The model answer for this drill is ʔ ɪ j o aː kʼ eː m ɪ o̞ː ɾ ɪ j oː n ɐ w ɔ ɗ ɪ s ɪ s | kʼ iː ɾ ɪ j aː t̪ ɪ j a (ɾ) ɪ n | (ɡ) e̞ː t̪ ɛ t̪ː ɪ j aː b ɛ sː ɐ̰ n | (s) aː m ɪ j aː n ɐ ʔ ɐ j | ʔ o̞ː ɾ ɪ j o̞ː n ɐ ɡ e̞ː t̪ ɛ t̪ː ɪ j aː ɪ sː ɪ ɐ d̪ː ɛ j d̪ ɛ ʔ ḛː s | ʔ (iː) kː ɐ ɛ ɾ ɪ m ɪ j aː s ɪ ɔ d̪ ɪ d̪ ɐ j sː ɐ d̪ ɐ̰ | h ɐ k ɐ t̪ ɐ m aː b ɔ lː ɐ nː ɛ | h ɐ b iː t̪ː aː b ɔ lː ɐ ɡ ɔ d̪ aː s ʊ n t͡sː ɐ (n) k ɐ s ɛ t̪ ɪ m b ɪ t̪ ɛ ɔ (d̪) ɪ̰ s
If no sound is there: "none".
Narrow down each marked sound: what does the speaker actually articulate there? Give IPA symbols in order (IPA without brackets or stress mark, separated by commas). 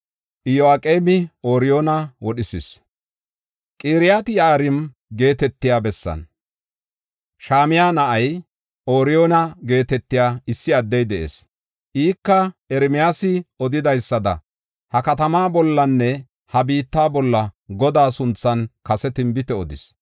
ɾ, ɡ, ʃ, iː, n, d̪